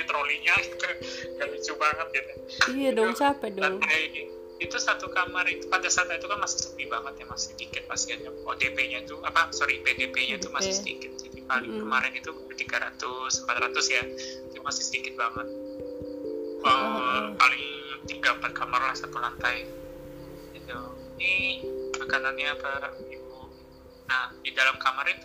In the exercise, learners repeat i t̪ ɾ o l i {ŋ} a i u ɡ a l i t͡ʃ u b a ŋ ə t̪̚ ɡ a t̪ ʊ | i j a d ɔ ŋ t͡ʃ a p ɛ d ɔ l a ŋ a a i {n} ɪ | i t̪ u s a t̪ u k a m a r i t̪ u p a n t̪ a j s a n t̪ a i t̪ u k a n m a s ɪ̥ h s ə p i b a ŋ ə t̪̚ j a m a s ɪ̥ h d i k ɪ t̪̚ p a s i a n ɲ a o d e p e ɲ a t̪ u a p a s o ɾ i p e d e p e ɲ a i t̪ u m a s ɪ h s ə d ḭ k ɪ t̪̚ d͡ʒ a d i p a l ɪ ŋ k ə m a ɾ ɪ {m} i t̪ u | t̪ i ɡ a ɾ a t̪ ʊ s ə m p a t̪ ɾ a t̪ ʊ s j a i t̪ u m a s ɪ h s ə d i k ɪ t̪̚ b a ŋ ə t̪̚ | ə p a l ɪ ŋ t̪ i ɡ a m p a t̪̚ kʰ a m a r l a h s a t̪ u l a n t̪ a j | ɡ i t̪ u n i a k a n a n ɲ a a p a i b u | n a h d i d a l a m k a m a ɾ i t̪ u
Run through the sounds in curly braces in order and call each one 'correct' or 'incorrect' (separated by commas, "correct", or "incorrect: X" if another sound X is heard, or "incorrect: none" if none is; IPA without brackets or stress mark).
incorrect: ɲ, correct, incorrect: n